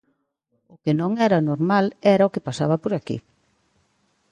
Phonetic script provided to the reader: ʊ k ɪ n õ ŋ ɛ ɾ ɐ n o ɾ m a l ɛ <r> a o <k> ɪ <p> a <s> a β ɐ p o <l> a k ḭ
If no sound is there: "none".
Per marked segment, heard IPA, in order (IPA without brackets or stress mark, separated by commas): ɾ, k, p, s, ɾ